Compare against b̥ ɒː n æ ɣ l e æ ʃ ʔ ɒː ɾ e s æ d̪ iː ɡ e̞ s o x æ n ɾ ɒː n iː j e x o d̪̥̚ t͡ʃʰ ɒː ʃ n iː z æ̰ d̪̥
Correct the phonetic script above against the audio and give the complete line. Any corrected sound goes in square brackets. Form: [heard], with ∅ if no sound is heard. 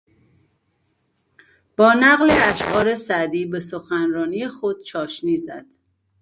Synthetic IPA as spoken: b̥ ɒː n æ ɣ l e æ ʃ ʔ ɒː ɾ e s æ d̪ iː [b] e̞ s o x æ n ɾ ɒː n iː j e x o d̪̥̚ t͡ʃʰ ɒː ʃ n iː z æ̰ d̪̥

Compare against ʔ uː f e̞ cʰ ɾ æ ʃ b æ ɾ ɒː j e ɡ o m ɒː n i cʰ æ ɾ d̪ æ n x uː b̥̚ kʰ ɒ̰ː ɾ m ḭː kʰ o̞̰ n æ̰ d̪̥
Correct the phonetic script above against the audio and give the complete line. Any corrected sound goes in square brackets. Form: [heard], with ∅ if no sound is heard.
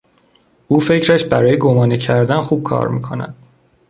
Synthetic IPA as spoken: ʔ uː f e̞ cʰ ɾ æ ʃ b æ ɾ ɒː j e ɡ o m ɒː n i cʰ æ ɾ d̪ æ n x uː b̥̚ kʰ ɒ̰ː ɾ m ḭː kʰ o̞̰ n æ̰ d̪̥

